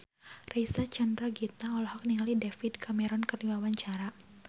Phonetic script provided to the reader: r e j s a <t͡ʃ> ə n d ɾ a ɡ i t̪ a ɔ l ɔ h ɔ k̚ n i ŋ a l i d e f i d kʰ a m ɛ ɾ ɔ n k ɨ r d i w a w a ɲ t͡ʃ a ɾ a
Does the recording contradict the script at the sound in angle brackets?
no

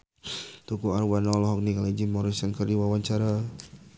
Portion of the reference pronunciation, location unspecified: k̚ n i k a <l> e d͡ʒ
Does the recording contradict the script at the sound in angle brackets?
no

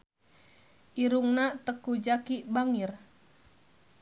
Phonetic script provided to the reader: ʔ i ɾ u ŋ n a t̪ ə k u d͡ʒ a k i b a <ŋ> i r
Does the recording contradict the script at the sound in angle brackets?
no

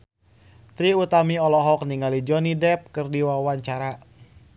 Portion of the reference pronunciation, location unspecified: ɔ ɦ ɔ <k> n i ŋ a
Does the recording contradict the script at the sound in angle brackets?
no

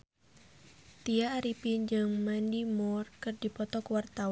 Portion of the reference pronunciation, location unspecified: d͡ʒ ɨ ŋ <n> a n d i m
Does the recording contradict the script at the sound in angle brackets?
yes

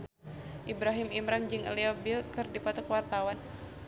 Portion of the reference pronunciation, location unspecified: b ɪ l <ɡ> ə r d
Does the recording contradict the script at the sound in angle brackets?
yes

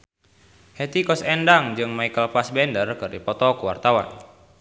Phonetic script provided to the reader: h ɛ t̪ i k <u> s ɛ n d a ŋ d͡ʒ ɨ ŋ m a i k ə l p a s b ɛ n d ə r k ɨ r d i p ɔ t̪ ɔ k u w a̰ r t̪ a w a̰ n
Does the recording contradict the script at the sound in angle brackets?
yes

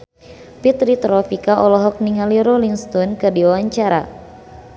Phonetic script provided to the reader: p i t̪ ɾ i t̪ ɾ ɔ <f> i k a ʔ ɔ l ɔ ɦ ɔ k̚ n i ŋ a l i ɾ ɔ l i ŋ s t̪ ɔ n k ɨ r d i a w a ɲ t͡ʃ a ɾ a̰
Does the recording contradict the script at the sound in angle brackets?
no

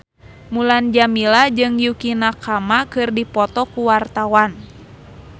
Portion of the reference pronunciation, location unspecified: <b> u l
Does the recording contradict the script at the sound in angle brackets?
yes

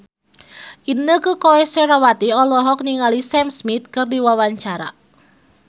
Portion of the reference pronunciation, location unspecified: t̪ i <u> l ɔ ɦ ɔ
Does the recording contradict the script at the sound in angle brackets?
yes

